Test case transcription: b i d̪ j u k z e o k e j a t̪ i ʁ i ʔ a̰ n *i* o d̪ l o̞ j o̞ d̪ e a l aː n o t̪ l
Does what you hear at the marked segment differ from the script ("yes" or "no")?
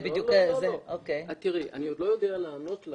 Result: no